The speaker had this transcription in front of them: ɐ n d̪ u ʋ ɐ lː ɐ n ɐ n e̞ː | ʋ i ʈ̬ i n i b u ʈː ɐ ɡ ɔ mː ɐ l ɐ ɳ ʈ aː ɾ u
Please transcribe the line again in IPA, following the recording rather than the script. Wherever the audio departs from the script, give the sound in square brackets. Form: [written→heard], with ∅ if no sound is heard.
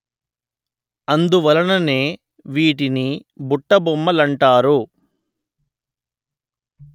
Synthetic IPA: ɐ n d̪ u ʋ ɐ [lː→l] ɐ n ɐ n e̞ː | ʋ [i→iː] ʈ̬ i n i b u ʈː ɐ [ɡ→b] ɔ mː ɐ l ɐ ɳ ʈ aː ɾ u

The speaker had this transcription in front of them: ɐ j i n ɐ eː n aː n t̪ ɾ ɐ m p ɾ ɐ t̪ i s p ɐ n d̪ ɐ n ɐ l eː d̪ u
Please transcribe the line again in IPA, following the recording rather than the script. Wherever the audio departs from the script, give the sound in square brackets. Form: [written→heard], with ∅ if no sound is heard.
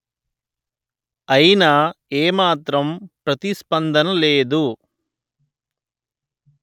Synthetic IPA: ɐ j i n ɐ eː [n→m] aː [n→∅] t̪ ɾ ɐ m p ɾ ɐ t̪ i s p ɐ n d̪ ɐ n ɐ l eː d̪ u

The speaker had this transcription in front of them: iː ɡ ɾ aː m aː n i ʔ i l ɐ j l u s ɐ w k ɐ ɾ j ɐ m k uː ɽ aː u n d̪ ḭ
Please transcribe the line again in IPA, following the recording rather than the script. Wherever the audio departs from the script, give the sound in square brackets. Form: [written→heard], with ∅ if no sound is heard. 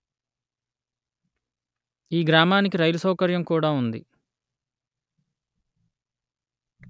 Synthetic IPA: iː ɡ ɾ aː m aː n i [ʔ→k] i [l→ɾ] ɐ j l u s ɐ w k ɐ ɾ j ɐ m k uː ɽ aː u n d̪ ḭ

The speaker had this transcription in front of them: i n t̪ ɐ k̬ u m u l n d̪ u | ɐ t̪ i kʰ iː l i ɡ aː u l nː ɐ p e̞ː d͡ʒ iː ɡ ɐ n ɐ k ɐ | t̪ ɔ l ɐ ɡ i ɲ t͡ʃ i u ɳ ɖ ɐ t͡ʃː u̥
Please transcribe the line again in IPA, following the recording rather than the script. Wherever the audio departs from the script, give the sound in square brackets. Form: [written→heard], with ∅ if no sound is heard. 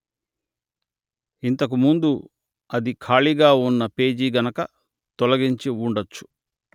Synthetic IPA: i n t̪ ɐ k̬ u m u [l→∅] n d̪ u | ɐ [t̪→d̪] i kʰ [iː→aː] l i ɡ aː u [l→∅] nː ɐ p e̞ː d͡ʒ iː ɡ ɐ n ɐ k ɐ | t̪ ɔ l ɐ ɡ i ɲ t͡ʃ i u ɳ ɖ ɐ t͡ʃː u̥

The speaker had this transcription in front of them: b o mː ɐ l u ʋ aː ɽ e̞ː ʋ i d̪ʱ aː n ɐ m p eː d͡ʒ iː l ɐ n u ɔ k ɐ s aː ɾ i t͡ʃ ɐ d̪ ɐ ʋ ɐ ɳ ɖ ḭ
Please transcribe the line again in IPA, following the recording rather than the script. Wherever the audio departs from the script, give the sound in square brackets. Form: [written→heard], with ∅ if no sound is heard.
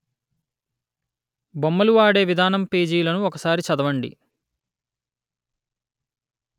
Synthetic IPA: b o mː ɐ l u ʋ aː ɽ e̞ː ʋ i d̪ʱ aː n ɐ m p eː d͡ʒ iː l ɐ n u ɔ k ɐ s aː ɾ i t͡ʃ ɐ d̪ ɐ ʋ ɐ ɳ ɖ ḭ

